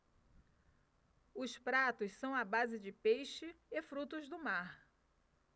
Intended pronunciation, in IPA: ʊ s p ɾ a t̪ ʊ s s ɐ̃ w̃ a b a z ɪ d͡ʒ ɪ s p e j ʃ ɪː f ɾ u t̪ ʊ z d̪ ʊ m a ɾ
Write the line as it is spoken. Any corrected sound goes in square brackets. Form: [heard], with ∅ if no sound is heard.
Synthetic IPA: ʊ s p ɾ a t̪ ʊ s s ɐ̃ w̃ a b a z ɪ d͡ʒ ɪ [∅] p e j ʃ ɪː f ɾ u t̪ ʊ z d̪ ʊ m a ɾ